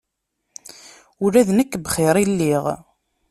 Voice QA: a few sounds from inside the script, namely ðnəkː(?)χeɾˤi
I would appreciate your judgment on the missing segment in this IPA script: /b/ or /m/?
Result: b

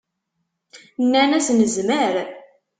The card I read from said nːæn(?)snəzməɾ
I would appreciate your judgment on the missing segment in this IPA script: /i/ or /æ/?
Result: æ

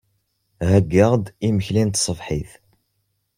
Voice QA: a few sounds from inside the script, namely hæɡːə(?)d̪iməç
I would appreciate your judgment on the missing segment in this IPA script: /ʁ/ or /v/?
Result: ʁ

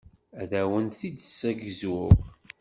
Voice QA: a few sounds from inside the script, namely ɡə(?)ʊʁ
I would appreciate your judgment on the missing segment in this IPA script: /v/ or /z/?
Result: z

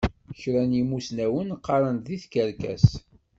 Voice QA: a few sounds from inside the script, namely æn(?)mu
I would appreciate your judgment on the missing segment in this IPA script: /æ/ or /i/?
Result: i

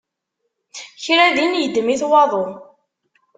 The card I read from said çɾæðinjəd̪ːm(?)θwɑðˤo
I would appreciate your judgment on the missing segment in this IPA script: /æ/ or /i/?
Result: i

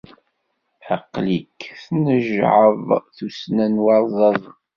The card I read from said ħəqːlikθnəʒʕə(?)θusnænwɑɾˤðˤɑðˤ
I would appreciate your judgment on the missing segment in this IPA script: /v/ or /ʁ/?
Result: v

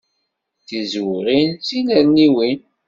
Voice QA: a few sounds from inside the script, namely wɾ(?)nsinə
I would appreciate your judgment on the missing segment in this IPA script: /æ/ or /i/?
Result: i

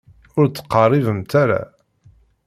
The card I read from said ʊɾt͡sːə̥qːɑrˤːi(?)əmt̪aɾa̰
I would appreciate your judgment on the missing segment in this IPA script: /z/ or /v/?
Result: v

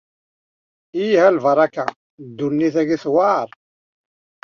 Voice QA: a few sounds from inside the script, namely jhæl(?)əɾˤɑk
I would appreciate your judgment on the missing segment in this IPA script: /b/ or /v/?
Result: v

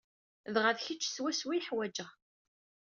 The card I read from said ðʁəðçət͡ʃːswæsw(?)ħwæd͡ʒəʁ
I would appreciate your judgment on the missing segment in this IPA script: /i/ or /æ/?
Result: i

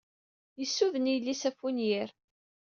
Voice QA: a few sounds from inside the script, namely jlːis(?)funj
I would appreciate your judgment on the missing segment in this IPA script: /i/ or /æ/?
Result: æ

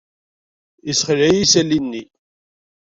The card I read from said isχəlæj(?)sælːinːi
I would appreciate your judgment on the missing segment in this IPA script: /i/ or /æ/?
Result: i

